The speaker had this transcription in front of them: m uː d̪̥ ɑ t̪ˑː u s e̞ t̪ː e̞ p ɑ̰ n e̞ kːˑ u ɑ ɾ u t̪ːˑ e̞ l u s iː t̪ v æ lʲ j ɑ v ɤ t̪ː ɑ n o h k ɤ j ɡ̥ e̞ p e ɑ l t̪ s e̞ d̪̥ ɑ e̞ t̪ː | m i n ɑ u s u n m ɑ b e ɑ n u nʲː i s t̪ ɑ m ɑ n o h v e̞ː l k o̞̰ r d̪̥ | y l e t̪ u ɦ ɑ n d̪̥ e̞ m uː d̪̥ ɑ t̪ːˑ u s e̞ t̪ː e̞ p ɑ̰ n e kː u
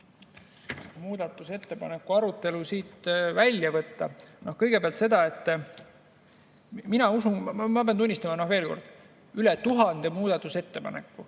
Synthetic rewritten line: m uː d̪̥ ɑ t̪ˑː u s e̞ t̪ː e̞ p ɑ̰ n e̞ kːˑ u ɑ ɾ u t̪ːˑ e̞ l u s iː t̪ v æ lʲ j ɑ v ɤ t̪ː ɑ n o h k ɤ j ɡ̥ e̞ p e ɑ l t̪ s e̞ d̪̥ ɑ e̞ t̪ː | m i n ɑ u s u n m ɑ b e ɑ n u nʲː i s t̪ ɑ m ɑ n o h v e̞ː l k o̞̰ r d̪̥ | y l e t̪ u ɦ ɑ n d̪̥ e̞ m uː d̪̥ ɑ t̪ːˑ u s e̞ t̪ː e̞ p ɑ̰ n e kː u